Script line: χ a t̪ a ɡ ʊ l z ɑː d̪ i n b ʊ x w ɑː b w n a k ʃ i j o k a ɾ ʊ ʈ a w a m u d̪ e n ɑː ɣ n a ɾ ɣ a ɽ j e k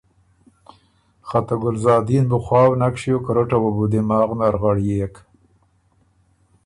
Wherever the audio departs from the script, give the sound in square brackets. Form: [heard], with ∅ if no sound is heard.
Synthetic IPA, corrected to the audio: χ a t̪ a ɡ ʊ l z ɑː d̪ i n b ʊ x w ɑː [∅] w n a k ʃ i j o k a ɾ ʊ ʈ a w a [b] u d̪ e [m] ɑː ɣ n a ɾ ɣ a ɽ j e k